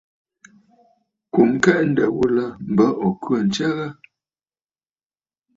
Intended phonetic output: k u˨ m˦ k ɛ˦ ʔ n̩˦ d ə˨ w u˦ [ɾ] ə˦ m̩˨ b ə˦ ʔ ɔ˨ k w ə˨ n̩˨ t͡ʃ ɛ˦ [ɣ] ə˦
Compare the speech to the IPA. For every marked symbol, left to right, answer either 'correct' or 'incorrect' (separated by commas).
incorrect, correct